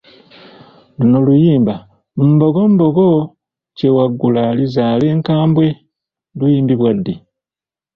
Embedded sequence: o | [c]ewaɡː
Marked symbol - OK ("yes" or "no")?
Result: yes